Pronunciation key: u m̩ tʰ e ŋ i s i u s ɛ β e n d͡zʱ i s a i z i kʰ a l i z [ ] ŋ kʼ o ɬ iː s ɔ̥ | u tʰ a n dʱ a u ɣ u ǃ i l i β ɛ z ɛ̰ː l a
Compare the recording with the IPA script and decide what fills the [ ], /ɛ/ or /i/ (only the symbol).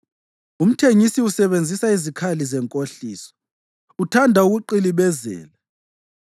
ɛ